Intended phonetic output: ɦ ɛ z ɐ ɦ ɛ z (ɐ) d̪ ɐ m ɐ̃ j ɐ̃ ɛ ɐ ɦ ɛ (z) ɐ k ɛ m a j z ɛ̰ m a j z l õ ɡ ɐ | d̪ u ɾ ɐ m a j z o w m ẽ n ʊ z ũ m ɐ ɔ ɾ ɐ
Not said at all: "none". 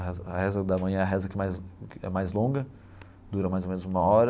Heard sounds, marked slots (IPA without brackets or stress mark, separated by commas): ɐ, z